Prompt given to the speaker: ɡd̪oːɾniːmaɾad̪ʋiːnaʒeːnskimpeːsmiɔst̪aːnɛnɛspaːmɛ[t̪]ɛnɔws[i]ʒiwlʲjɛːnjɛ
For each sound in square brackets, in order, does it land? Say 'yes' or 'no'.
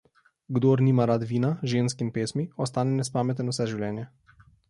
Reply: yes, no

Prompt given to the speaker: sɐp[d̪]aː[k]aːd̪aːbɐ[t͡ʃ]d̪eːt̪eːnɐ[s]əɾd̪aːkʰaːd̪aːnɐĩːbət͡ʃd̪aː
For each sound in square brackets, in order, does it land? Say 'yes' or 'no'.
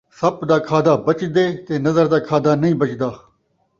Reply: yes, no, yes, no

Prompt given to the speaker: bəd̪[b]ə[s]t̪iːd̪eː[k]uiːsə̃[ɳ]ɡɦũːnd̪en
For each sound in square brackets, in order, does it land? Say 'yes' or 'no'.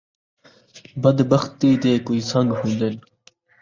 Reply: yes, no, yes, no

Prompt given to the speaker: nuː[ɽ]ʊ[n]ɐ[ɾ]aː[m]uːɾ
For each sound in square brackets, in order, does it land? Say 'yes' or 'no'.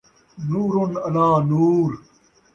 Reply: no, yes, no, no

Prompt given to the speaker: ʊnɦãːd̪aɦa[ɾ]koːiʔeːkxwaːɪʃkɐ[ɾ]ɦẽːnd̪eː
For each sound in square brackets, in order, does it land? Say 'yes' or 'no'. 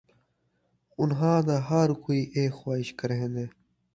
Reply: yes, yes

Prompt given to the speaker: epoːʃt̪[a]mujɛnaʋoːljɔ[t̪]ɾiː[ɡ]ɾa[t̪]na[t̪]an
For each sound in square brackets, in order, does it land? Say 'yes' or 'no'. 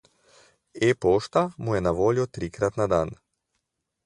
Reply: yes, yes, no, yes, no

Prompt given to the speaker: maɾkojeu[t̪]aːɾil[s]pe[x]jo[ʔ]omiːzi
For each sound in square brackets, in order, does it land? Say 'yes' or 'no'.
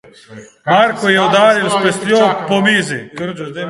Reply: no, yes, no, no

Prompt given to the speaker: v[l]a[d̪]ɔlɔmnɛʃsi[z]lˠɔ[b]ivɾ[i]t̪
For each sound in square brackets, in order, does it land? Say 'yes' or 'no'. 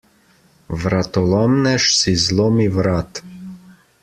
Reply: no, no, yes, no, no

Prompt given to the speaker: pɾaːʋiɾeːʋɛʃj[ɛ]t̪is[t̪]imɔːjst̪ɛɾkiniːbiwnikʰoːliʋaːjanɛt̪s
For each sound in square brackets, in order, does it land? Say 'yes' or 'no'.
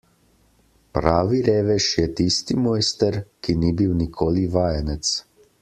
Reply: yes, yes

